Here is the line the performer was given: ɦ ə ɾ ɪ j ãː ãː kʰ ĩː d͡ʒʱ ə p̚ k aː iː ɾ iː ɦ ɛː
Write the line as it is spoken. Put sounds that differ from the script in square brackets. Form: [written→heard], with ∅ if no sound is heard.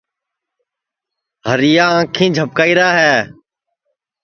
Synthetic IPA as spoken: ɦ ə ɾ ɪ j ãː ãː kʰ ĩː d͡ʒʱ ə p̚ k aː iː ɾ [iː→aː] ɦ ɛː